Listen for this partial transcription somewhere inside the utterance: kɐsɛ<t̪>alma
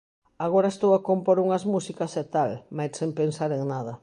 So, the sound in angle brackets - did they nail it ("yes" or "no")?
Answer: yes